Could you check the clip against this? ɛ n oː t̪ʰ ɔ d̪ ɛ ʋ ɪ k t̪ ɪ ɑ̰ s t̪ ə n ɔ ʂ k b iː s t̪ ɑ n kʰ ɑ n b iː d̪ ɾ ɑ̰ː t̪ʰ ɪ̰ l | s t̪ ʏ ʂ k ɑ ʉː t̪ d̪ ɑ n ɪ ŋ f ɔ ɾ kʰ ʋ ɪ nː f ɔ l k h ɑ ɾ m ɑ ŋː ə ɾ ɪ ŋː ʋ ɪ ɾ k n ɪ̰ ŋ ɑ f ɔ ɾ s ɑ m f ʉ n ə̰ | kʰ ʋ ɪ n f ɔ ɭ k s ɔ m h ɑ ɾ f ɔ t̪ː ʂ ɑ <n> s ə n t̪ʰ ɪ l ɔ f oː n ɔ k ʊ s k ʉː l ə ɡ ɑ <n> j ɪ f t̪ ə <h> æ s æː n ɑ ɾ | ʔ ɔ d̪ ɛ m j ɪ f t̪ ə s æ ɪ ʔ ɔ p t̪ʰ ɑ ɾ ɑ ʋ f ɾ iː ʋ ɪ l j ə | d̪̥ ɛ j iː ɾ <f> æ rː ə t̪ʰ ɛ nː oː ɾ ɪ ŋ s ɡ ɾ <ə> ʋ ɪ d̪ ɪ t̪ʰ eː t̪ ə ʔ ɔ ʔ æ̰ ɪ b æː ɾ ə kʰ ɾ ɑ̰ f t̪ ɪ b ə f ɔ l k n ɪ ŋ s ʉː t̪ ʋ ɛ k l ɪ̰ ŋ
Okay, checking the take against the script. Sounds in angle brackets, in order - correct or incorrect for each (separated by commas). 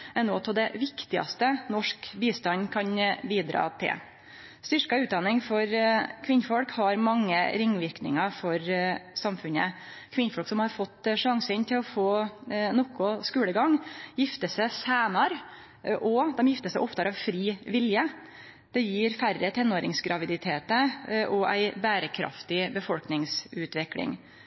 incorrect, incorrect, incorrect, correct, incorrect